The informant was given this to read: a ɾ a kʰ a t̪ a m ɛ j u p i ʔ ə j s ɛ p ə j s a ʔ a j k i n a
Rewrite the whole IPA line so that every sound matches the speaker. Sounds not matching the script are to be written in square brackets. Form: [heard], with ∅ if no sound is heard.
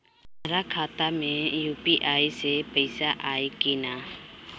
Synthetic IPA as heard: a ɾ a kʰ a t̪ a m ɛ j u p i ʔ [a] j s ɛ p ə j s a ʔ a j k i n a